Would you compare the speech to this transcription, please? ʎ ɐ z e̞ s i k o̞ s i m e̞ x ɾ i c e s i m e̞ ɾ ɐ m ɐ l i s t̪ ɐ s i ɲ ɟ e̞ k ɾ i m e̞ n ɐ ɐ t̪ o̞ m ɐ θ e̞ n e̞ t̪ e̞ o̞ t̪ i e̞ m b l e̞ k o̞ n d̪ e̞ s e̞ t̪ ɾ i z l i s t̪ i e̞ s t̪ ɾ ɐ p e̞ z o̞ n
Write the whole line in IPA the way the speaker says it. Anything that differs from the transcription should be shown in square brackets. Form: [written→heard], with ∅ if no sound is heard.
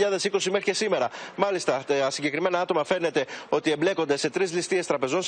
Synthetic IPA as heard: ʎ ɐ [z→ð] e̞ s i k o̞ s i m e̞ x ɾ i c e s i m e̞ ɾ ɐ m ɐ l i s t̪ ɐ s i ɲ ɟ e̞ k ɾ i m e̞ n ɐ ɐ t̪ o̞ m ɐ [θ→f] e̞ n e̞ t̪ e̞ o̞ t̪ i e̞ m b l e̞ k o̞ n d̪ e̞ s e̞ t̪ ɾ i z l i s t̪ i e̞ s t̪ ɾ ɐ p e̞ z o̞ n